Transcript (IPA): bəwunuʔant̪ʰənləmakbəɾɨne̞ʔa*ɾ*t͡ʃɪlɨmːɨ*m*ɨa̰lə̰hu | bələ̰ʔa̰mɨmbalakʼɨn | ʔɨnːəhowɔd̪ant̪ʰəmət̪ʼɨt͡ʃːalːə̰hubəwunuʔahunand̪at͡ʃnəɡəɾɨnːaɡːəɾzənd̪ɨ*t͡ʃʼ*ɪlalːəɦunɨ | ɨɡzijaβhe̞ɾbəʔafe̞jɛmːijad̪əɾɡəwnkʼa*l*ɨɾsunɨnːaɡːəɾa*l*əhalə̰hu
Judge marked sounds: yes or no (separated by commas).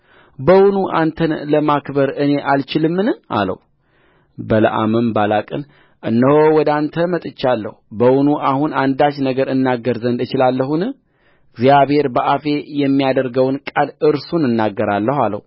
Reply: no, no, no, yes, no